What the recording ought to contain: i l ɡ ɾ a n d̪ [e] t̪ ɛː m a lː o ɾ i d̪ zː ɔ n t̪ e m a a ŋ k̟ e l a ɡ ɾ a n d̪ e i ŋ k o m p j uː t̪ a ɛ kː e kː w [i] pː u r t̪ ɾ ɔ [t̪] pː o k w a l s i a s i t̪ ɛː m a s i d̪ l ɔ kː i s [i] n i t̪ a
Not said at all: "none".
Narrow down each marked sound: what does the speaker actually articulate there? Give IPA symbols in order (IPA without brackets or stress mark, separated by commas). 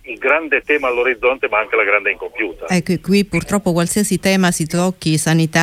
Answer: e, i, none, a